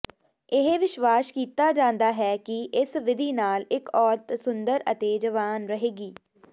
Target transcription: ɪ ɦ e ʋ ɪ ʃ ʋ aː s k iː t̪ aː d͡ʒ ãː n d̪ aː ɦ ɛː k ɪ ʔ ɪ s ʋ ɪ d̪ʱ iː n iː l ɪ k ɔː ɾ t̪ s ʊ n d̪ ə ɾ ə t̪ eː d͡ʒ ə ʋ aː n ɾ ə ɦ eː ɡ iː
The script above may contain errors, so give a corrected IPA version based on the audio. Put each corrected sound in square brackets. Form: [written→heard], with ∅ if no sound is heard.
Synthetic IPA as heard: ɪ ɦ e ʋ ɪ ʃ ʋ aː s k iː t̪ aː d͡ʒ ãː n d̪ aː ɦ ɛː k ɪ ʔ ɪ s ʋ ɪ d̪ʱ iː n [iː→aː] l ɪ k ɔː ɾ t̪ s ʊ n d̪ ə ɾ ə t̪ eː d͡ʒ ə ʋ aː n ɾ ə ɦ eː ɡ iː